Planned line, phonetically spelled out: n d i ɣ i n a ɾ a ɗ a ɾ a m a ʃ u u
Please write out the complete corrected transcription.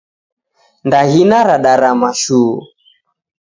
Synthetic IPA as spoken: n d a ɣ i n a ɾ a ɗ a ɾ a m a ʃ u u